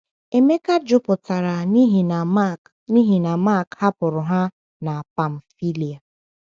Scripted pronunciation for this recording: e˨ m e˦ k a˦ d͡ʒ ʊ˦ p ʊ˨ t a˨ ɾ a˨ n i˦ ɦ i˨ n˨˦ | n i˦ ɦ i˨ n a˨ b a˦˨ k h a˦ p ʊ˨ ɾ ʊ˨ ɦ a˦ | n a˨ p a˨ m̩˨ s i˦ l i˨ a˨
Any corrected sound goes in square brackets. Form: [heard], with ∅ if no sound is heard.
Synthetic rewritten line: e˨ m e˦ k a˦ d͡ʒ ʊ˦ p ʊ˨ t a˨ ɾ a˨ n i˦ ɦ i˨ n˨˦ | n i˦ ɦ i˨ n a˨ [m] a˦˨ k h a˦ p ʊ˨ ɾ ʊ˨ ɦ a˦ | n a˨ p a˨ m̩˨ [f] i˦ l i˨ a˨